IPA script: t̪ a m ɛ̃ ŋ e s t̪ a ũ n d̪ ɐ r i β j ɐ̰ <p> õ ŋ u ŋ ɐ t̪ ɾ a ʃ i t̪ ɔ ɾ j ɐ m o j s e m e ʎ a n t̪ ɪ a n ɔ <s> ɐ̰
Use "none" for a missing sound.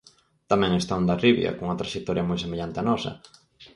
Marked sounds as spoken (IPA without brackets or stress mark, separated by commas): k, s